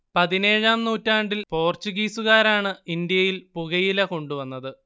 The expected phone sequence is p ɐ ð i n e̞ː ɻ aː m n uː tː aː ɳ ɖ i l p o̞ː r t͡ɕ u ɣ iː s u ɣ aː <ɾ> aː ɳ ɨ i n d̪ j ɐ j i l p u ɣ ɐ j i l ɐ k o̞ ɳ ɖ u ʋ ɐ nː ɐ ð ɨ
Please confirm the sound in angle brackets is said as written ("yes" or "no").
yes